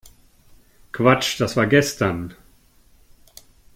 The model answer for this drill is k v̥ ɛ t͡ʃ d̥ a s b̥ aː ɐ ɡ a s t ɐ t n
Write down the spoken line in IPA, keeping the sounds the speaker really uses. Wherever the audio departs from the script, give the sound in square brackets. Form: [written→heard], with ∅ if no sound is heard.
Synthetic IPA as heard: k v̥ [ɛ→a] t͡ʃ d̥ a s [b̥→v̥] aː ɐ ɡ [a→ɛ] s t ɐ [t→∅] n